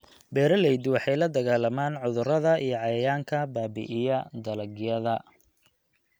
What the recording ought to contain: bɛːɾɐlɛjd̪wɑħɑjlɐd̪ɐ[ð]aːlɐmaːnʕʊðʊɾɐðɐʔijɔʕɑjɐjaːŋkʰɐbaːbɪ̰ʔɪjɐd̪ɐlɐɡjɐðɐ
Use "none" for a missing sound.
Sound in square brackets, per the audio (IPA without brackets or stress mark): ɣ